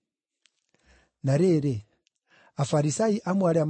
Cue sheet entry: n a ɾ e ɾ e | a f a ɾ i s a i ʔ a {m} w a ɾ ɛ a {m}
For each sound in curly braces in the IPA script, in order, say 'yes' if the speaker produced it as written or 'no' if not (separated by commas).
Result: yes, yes